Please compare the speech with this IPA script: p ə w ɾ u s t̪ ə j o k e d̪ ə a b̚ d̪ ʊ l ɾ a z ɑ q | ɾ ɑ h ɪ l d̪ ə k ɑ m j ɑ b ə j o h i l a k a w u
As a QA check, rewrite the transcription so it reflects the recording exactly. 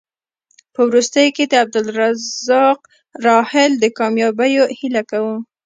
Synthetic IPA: p ə w ɾ u s t̪ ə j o k e d̪ ə a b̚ d̪ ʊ l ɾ a z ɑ q | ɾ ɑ h ɪ l d̪ ə k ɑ m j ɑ b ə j o h i l a k a w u